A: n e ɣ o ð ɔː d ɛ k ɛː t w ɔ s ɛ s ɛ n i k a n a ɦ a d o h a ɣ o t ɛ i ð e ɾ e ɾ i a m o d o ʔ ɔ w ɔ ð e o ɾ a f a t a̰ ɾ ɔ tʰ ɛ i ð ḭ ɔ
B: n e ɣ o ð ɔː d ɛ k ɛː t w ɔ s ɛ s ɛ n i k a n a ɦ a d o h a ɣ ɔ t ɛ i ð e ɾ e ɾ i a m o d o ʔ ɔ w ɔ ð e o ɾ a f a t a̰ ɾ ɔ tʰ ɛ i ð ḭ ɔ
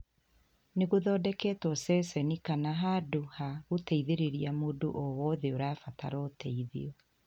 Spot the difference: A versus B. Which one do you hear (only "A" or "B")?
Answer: A